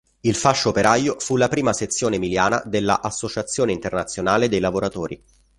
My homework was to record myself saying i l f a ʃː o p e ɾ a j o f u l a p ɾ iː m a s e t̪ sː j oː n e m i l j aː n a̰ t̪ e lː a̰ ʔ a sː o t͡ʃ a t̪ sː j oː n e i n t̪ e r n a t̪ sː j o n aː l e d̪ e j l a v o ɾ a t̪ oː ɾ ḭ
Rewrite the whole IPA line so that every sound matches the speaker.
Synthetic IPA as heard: i l f a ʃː o p e ɾ a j o f u l a p ɾ iː m a s e t̪ sː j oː n e m i l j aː n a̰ d̪ e lː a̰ ʔ a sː o t͡ʃ a t̪ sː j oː n e i n t̪ e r n a t̪ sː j o n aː l e d̪ e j l a v o ɾ a t̪ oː ɾ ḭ

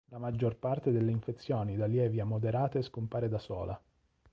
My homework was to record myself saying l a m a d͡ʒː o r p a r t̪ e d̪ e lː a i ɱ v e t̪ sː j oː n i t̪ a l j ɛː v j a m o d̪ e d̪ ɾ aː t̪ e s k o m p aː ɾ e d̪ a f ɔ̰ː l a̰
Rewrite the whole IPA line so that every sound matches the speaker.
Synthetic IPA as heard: l a m a d͡ʒː o r p a r t̪ e d̪ e lː e i ɱ f e t̪ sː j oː n i d̪ a l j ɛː v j a m o d̪ e ɾ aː t̪ e s k o m p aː ɾ e d̪ a s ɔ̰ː l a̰

